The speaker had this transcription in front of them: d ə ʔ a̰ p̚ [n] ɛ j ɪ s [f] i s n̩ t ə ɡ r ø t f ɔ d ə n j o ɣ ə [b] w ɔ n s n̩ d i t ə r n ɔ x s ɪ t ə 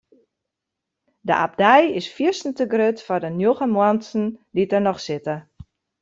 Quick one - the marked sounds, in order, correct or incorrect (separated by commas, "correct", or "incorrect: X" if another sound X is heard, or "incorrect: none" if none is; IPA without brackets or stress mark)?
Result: incorrect: d, correct, incorrect: m